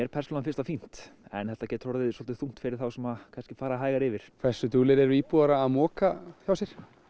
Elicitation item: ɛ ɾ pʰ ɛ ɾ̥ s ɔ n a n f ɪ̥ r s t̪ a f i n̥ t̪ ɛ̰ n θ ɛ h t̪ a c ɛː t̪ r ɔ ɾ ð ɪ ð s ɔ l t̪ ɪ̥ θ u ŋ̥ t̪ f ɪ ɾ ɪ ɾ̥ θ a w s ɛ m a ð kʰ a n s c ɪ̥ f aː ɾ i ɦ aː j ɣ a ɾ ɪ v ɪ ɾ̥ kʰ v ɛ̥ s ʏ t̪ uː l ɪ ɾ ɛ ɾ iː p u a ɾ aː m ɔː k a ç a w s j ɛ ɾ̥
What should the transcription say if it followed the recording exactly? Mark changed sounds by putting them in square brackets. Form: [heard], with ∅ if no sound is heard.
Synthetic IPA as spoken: ɛ ɾ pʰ ɛ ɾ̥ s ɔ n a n f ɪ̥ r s t̪ a f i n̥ t̪ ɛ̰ n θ ɛ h t̪ a c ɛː t̪ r ɔ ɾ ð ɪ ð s ɔ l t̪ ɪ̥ θ u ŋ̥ t̪ f ɪ ɾ ɪ ɾ̥ θ a w s ɛ m a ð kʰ a n s c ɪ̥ f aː ɾ [a] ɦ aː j ɣ a ɾ ɪ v ɪ ɾ̥ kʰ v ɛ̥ s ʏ t̪ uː l ɪ ɾ ɛ ɾ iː p u a ɾ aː m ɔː k a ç a w s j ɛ ɾ̥